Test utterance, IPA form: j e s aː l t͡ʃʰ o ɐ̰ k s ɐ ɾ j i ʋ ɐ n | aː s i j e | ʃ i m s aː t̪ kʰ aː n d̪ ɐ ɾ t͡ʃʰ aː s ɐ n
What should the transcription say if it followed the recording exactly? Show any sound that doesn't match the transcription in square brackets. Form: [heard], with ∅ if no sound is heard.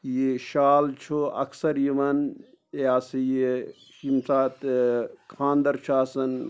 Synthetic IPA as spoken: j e [ʃ] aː l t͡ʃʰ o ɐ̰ k s ɐ ɾ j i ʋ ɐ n | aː s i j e | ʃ i m s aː t̪ kʰ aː n d̪ ɐ ɾ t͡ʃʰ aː s ɐ n